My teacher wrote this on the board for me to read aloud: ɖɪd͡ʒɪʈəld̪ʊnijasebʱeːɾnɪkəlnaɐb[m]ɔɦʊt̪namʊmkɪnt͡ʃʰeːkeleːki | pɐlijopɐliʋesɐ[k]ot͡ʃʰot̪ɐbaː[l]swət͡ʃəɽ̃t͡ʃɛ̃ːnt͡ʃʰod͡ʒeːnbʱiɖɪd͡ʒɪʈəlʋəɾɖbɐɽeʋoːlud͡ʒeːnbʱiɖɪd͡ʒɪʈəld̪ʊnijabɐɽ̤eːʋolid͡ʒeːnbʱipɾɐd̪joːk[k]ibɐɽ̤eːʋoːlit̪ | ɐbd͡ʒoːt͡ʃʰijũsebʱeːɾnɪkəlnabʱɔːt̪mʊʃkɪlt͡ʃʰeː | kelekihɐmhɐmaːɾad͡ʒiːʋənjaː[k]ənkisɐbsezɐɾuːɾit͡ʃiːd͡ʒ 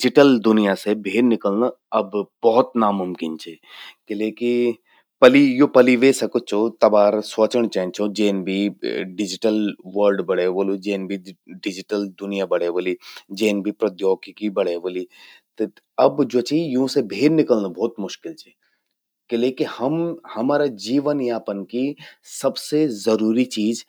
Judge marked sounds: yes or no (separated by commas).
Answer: no, yes, no, yes, no